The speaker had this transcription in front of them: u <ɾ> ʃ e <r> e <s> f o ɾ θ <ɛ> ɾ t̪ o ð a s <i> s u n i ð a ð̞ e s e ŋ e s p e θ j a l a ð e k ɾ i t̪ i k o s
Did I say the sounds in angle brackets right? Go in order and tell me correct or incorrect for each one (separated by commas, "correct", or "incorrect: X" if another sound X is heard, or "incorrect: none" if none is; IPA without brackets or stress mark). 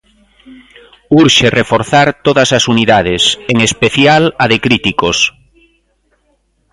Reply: correct, correct, incorrect: none, incorrect: a, incorrect: a